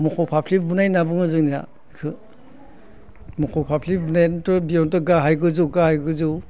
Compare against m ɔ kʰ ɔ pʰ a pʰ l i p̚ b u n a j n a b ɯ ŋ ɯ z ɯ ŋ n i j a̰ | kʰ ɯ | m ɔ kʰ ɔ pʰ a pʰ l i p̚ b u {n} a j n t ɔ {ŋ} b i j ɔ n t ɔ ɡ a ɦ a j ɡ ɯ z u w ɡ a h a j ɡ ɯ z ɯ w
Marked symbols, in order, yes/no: yes, no

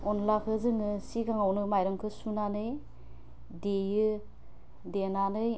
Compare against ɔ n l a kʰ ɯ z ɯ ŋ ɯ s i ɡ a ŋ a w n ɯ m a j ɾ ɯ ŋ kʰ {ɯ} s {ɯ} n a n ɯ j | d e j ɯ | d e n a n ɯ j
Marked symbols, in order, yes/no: yes, no

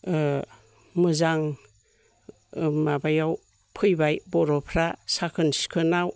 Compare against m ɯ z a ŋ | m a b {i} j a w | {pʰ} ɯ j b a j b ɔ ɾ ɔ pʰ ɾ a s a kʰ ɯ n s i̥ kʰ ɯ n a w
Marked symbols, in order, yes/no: no, yes

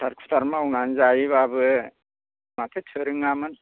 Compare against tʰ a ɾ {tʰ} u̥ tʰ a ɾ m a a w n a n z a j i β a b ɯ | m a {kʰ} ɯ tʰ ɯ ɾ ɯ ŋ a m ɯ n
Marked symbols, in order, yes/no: no, no

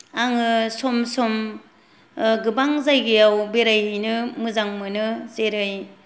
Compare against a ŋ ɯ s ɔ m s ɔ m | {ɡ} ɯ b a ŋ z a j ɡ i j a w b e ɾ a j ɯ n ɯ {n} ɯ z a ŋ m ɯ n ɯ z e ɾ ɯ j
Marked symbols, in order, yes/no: yes, no

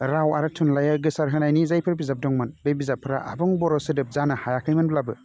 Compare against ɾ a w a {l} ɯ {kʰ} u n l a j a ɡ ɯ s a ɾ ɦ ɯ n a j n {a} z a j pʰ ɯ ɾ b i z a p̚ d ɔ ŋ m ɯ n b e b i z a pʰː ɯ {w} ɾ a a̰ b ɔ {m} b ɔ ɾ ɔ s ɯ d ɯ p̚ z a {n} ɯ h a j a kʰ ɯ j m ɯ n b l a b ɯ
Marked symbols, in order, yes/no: no, no, no, no, no, yes

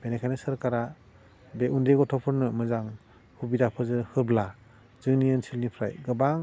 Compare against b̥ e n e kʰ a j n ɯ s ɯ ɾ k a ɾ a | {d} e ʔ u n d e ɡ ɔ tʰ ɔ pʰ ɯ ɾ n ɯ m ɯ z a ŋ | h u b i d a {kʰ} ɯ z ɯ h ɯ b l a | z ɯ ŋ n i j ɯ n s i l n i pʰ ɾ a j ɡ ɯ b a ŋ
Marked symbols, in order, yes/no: no, no

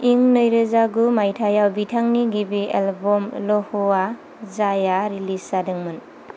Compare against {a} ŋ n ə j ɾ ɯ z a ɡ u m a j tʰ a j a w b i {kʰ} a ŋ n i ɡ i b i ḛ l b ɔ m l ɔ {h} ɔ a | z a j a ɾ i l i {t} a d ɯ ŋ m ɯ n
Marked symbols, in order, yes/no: no, no, yes, no

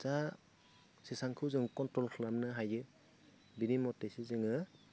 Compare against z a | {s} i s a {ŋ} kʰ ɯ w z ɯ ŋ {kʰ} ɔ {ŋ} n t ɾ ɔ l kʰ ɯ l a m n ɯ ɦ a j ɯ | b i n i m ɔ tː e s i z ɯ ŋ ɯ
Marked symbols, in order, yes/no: yes, yes, no, no

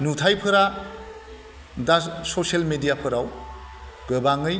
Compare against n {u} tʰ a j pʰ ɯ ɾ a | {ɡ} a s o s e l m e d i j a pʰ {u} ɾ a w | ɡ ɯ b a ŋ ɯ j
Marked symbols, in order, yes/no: yes, no, no

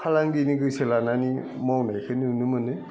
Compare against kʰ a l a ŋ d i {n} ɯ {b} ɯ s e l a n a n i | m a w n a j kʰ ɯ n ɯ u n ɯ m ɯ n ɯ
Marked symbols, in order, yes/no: yes, no

